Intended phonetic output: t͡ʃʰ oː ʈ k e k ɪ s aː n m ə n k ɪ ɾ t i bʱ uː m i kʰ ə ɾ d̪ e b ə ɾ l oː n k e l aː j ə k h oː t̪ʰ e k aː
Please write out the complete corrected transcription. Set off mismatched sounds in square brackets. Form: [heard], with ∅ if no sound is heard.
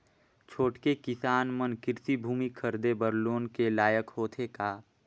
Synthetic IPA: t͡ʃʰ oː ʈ k e k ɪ s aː n m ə n k ɪ ɾ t i bʱ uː m i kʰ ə ɾ d̪ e b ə ɾ l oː n k e l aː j ə k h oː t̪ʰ e k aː